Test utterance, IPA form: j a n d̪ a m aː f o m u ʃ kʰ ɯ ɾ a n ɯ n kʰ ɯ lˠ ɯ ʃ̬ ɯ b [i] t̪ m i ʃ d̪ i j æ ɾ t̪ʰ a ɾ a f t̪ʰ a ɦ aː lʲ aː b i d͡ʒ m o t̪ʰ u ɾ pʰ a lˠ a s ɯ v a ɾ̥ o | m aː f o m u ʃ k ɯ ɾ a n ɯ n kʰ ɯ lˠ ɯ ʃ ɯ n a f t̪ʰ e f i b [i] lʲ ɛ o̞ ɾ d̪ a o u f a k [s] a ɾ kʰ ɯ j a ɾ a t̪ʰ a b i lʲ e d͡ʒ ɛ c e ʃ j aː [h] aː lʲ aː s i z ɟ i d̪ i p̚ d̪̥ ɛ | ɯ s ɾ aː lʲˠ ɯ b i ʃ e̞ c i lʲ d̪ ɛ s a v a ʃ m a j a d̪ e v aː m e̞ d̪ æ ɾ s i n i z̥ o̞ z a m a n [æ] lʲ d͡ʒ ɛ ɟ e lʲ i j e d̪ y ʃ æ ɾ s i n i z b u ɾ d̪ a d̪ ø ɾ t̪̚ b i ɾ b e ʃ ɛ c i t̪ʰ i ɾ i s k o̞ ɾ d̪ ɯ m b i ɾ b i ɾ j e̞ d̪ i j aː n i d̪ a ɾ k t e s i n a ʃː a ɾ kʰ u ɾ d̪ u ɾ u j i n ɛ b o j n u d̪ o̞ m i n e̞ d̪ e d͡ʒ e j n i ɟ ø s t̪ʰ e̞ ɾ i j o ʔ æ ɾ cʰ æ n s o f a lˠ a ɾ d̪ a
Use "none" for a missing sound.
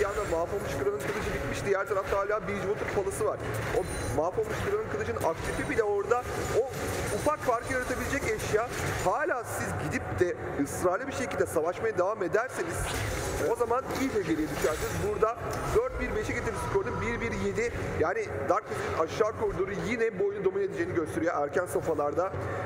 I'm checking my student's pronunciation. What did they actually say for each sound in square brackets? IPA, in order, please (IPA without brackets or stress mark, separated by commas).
i, i, f, h, i